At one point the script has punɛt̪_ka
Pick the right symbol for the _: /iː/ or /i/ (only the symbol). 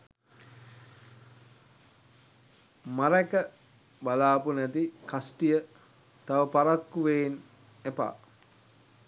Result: i